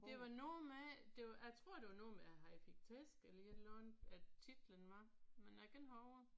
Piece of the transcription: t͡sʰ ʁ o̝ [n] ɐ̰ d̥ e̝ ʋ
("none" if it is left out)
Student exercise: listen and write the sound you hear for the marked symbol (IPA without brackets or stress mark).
none